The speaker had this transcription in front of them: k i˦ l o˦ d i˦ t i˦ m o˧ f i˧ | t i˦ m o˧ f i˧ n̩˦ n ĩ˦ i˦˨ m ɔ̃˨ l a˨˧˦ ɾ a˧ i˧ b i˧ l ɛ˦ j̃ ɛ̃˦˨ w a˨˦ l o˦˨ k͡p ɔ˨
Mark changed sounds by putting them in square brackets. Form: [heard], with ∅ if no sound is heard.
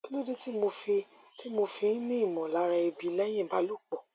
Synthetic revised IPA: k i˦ l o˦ d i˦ t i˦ m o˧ f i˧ | t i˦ m o˧ f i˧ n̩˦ n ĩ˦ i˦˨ m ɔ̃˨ l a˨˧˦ ɾ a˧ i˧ b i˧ l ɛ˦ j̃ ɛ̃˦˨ [b] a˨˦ l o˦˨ k͡p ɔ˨